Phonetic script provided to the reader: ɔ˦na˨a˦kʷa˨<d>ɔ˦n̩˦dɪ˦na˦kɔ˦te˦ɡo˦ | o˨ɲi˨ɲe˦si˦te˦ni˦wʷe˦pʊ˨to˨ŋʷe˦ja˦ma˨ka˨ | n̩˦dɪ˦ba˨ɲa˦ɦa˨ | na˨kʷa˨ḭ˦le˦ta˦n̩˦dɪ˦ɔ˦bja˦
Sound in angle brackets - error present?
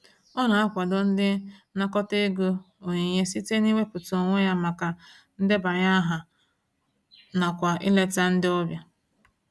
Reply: no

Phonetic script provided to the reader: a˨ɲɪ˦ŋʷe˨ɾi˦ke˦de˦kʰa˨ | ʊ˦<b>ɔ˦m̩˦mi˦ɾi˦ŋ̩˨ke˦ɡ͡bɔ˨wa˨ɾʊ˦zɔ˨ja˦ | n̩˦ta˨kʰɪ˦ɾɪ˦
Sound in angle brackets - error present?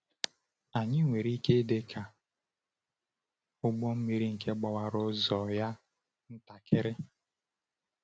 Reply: yes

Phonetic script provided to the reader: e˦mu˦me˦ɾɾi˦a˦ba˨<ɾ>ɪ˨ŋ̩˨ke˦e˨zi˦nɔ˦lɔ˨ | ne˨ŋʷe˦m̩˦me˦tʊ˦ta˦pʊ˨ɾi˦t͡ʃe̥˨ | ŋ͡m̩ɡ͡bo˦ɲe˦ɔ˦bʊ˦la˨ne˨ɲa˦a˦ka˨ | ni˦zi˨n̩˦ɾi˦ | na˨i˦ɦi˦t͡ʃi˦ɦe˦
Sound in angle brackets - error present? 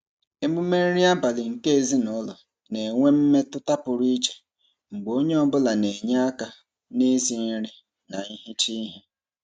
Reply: yes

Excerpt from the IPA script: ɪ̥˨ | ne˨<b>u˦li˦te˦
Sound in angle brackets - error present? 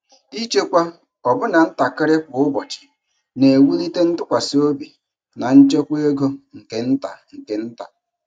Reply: yes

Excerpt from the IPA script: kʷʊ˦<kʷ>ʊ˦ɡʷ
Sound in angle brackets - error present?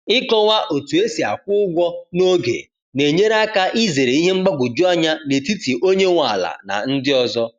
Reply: yes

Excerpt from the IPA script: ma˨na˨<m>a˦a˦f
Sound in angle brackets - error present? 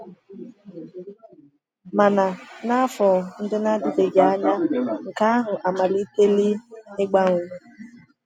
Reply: yes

